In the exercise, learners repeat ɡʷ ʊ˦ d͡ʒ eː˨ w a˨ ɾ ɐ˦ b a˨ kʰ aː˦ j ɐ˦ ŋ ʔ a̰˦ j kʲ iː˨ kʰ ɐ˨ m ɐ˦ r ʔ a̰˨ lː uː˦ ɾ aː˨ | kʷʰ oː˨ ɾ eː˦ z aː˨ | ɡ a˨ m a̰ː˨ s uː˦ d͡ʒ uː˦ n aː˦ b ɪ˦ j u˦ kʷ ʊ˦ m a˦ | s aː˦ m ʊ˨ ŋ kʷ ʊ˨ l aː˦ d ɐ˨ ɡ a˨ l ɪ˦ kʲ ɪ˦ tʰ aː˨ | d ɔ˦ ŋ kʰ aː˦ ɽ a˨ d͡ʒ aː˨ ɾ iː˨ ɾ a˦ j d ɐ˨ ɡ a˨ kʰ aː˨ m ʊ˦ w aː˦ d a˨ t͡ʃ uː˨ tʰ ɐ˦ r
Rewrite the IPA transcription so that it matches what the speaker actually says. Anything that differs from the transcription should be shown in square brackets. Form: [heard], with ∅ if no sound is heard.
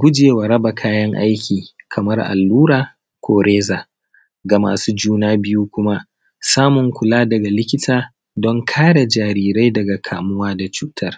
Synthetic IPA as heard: ɡʷ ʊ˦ d͡ʒ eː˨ w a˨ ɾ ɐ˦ b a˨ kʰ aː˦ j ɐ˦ ŋ ʔ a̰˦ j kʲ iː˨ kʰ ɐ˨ m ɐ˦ r ʔ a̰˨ lː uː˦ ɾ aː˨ | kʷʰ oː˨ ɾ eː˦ z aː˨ | ɡ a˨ m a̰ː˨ s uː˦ d͡ʒ uː˦ n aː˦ b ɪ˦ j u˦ kʷ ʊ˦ m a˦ | s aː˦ m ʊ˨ ŋ kʷ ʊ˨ l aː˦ d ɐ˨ ɡ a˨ l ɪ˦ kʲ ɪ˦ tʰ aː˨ | d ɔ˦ ŋ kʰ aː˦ ɽ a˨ d͡ʒ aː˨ ɾ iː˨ ɾ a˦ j d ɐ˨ ɡ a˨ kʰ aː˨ m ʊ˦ w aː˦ d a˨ t͡ʃ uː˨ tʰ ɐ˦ r